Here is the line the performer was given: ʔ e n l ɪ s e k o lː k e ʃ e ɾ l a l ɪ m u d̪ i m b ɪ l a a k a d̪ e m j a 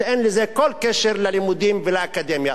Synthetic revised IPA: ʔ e n l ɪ z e k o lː k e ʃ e ɾ l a l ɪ m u d̪ i m v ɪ l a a k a d̪ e m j a

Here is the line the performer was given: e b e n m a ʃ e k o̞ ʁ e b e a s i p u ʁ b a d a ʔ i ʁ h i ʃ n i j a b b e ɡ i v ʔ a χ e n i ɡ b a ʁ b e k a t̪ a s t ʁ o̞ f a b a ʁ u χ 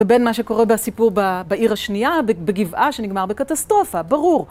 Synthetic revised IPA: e b e n m a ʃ e k o̞ ʁ e b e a s i p u ʁ b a b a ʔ i ʁ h a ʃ n i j a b b e ɡ i v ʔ a ʃ e n i ɡ m a ʁ b e k a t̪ a s t ʁ o̞ f a b a ʁ u ʁ

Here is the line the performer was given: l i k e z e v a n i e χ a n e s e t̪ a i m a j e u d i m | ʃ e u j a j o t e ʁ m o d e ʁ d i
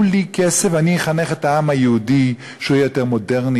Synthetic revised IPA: l i k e s e v a n i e χ a n e χ e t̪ a a m a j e u d i | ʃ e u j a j o t e ʁ m o d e ʁ n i

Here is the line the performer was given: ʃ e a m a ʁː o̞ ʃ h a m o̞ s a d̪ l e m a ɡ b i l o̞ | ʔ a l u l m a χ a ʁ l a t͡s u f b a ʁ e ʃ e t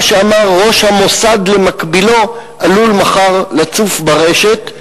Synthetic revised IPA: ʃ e a m a ʁː o̞ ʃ h a m o̞ s a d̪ l e m a k b i l o̞ | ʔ a l u l m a χ a ʁ l a t͡s u f b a ʁ e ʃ e t

